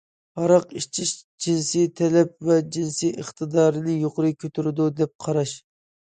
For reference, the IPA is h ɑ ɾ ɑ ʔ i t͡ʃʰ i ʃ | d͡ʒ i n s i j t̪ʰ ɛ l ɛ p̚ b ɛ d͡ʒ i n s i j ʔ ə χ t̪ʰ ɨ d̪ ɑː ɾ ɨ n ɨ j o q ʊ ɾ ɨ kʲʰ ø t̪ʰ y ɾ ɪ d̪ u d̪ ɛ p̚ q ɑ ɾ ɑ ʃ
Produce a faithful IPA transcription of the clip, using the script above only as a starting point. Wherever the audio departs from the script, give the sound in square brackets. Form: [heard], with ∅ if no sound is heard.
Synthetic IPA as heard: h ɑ ɾ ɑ [q] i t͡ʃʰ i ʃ | d͡ʒ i n s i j t̪ʰ ɛ l ɛ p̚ [v] ɛ d͡ʒ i n s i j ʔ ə χ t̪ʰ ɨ d̪ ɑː ɾ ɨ n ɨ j o q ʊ ɾ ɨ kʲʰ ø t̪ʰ y ɾ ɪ d̪ u d̪ ɛ p̚ [qʰ] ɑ ɾ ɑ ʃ